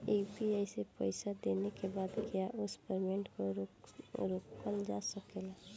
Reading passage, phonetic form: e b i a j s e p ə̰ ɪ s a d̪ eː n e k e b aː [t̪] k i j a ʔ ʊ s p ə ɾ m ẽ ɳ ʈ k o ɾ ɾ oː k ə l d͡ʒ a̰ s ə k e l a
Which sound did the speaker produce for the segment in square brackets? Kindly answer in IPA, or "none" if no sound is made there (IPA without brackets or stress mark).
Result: d̪